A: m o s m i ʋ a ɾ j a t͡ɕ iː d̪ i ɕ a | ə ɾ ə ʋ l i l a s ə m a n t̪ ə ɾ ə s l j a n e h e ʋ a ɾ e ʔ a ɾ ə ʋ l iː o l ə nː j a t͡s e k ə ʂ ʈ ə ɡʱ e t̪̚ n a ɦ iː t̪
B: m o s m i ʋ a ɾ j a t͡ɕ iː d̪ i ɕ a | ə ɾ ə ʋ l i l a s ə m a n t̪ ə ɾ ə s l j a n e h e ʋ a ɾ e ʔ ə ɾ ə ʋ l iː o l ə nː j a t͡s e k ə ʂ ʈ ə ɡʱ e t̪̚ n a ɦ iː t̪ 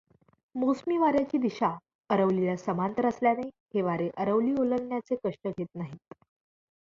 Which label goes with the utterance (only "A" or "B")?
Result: B